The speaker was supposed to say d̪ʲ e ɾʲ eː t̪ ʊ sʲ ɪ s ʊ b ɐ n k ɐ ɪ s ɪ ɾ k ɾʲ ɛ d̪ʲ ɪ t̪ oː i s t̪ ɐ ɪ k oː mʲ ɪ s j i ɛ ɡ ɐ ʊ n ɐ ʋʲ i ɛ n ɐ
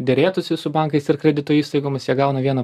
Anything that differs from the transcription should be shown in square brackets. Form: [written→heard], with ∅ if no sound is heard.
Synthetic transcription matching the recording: d̪ʲ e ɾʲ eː t̪ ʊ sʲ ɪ s ʊ b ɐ [n→ŋ] k ɐ ɪ s ɪ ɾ k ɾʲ ɛ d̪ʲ ɪ t̪ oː [i→iː] s t̪ ɐ ɪ [k→ɡ] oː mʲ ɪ s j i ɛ ɡ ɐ ʊ n ɐ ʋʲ i ɛ n ɐ